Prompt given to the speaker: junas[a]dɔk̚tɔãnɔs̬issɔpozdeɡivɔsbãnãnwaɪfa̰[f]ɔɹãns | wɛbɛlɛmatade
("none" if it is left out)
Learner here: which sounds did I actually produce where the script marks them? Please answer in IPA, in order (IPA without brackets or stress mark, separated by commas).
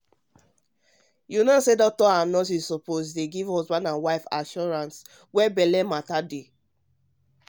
e, ʃ